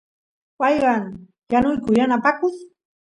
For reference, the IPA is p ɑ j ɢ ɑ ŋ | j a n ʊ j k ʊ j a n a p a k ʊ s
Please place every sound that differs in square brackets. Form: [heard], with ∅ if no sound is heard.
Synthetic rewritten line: p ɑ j ɢ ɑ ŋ | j a n ʊ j k ʊ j a n a p a k ʊ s